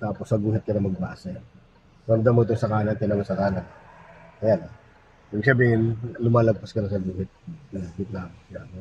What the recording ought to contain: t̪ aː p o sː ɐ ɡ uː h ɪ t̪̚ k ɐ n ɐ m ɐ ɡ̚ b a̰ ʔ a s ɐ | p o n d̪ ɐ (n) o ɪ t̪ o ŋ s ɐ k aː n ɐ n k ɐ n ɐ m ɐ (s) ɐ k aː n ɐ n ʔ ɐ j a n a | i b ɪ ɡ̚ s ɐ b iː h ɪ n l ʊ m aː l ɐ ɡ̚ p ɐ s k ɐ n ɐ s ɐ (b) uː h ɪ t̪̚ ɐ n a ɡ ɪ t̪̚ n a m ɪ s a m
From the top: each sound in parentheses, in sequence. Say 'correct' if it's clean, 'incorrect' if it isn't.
incorrect, correct, incorrect

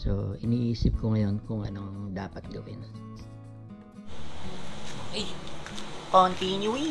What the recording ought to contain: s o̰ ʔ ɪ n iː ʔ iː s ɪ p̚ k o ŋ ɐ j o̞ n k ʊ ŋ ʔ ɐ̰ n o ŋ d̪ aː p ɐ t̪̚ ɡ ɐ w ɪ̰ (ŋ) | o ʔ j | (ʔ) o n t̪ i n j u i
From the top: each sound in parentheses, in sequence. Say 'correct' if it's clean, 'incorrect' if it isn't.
incorrect, incorrect

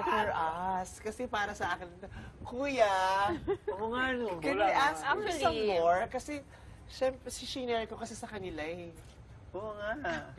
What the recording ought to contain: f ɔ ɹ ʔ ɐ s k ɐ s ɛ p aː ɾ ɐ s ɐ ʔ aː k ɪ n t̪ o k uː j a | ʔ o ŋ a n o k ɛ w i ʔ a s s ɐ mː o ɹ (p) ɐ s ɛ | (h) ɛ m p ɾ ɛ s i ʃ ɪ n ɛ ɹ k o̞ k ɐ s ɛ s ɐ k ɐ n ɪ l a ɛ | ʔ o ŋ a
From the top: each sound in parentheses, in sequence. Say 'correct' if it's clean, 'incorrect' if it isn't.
incorrect, incorrect

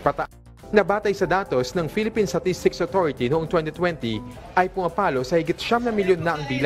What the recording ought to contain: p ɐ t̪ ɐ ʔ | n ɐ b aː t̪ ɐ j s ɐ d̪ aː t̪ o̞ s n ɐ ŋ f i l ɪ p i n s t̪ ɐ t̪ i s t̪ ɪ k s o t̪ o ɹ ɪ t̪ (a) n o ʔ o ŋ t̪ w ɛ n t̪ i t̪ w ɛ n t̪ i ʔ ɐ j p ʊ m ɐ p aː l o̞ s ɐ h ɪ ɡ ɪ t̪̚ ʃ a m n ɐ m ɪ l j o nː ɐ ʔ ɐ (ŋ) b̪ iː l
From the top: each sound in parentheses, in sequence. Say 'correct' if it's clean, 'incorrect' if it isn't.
incorrect, correct

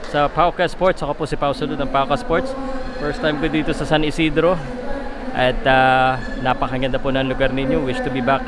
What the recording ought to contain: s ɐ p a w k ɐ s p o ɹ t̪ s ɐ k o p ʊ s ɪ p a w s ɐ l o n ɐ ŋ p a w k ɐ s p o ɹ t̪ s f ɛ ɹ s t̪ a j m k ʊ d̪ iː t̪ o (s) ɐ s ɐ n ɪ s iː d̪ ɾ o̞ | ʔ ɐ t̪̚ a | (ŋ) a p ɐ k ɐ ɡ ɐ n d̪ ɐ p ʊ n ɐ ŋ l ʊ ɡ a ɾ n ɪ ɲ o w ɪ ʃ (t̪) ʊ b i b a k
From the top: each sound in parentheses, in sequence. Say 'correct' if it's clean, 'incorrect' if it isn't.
correct, incorrect, correct

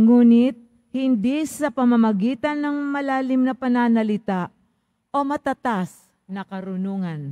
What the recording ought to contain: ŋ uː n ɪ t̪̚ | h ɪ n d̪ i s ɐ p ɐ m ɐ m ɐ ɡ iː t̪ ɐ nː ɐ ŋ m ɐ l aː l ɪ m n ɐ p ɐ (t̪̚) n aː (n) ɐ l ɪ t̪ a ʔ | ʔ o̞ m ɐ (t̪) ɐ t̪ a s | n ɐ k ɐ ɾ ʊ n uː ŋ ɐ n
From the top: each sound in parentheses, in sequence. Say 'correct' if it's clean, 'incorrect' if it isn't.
incorrect, correct, correct

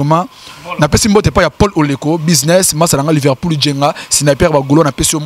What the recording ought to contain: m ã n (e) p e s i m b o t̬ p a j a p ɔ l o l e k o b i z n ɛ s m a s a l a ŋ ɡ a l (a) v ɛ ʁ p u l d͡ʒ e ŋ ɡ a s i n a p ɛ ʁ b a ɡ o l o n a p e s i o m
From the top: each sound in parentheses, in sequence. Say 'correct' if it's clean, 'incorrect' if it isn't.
incorrect, incorrect

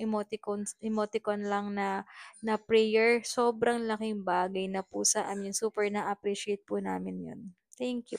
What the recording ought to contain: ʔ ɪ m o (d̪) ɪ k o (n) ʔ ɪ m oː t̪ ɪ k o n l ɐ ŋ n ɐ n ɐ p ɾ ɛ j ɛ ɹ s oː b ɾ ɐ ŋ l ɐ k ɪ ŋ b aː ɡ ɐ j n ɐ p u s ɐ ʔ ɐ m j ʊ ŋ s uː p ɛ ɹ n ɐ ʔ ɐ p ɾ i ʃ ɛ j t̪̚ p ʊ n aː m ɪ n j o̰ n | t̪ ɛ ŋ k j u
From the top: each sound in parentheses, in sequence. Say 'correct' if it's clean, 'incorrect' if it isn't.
incorrect, correct

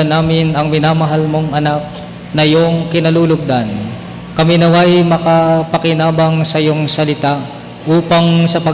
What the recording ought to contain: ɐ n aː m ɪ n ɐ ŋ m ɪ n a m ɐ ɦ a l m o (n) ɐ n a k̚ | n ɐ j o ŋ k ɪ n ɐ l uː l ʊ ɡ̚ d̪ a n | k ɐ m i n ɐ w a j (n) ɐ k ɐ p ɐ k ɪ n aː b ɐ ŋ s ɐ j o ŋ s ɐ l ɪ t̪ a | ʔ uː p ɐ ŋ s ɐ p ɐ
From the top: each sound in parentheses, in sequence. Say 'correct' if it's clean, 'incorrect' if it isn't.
incorrect, incorrect

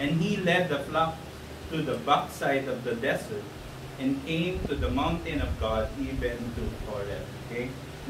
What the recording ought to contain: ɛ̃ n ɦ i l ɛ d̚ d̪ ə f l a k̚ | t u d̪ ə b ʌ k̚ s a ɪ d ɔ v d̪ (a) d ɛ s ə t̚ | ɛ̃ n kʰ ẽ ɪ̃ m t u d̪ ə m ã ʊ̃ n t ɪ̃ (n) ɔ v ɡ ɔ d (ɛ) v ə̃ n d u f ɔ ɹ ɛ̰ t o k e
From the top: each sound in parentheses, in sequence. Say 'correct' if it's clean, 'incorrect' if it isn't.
incorrect, correct, incorrect

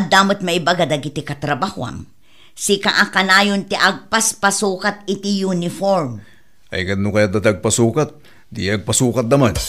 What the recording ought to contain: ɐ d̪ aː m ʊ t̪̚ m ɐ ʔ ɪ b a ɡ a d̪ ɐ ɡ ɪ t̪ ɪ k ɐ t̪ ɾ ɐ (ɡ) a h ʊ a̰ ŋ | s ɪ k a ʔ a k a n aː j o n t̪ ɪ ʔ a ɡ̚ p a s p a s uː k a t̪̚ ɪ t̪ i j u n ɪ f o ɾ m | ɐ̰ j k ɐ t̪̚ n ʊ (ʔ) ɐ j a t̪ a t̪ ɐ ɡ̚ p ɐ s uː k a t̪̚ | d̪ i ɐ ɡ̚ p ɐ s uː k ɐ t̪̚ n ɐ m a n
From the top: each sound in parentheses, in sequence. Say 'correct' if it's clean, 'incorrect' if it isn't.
incorrect, incorrect

